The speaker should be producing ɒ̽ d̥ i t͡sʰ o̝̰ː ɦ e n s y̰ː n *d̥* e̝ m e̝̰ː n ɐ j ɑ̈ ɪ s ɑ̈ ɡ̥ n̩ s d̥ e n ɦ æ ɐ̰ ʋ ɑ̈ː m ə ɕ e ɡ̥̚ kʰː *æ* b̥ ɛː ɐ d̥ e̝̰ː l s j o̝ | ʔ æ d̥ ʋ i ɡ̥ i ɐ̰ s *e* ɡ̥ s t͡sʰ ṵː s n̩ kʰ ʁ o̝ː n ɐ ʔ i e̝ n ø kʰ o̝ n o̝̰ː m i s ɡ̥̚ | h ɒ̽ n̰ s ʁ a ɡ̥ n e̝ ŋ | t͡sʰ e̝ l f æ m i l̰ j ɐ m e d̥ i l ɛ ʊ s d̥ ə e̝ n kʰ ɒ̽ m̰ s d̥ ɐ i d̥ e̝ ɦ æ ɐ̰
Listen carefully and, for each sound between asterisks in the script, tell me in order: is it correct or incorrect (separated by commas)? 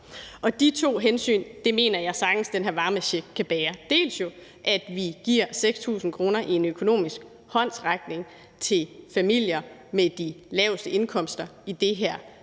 correct, correct, correct